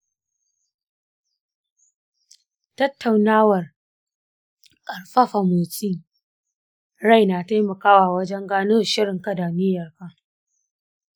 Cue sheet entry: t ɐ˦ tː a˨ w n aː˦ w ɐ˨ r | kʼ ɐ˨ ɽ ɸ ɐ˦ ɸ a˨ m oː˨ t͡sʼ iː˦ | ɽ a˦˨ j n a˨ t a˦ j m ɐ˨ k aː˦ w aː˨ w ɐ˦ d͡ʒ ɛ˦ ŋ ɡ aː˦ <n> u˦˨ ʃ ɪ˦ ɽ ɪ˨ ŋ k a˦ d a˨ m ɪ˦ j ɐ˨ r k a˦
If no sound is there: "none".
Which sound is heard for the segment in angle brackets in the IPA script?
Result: n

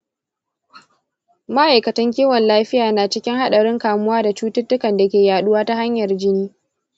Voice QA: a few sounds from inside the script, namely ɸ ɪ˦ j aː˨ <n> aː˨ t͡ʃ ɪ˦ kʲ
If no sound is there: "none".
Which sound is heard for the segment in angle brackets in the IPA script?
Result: n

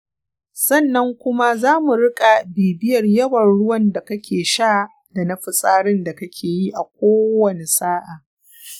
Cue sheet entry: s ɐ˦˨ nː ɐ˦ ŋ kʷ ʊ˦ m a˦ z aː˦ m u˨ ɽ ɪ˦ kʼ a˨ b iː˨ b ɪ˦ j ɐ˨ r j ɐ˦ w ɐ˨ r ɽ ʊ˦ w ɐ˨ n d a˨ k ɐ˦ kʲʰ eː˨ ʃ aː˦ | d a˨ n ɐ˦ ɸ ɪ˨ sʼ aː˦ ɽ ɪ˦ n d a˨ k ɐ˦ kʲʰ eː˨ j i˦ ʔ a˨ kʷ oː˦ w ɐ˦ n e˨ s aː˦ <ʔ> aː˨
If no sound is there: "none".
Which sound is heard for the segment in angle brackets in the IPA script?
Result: ʔ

